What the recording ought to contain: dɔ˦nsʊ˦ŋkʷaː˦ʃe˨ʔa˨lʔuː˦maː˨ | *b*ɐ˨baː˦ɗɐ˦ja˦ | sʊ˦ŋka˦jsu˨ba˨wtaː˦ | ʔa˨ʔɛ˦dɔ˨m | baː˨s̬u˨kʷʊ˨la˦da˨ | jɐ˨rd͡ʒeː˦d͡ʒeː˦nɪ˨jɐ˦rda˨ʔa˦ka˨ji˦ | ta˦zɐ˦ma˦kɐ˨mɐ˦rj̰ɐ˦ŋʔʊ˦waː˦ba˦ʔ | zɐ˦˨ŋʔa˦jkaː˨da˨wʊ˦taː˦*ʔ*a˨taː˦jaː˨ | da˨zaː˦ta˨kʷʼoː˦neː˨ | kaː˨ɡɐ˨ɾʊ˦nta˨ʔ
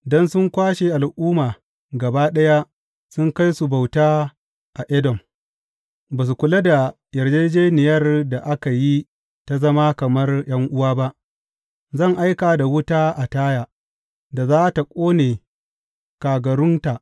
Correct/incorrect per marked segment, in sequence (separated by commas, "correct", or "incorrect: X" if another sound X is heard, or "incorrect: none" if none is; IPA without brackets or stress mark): incorrect: ɡ, correct